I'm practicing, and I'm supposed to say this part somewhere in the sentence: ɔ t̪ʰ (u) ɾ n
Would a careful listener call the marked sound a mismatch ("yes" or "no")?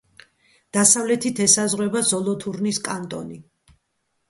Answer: no